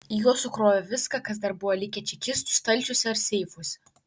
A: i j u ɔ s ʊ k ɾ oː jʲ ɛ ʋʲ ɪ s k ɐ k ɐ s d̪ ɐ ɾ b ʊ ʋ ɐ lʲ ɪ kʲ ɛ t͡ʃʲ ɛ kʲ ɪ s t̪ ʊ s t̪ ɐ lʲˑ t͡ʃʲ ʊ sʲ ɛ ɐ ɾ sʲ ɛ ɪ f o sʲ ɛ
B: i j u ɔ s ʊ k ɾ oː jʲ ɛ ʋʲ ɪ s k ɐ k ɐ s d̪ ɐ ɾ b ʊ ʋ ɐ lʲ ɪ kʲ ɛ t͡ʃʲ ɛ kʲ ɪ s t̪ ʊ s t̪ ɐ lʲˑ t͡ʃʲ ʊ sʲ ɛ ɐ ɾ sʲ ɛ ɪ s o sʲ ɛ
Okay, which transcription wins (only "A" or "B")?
A